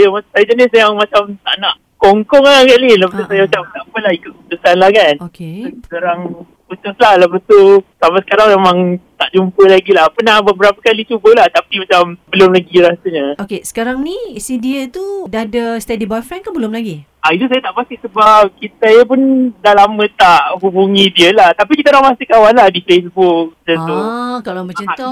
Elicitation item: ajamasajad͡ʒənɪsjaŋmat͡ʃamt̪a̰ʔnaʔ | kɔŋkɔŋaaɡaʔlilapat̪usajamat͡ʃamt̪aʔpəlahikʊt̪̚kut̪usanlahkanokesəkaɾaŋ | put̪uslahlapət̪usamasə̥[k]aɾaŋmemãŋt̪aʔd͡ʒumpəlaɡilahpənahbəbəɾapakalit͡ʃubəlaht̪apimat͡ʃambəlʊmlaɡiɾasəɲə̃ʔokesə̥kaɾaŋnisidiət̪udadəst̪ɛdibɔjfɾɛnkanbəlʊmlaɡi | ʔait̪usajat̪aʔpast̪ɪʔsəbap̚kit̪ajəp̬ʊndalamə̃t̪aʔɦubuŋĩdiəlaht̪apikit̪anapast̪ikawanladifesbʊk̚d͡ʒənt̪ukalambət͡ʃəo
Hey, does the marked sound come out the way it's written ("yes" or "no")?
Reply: yes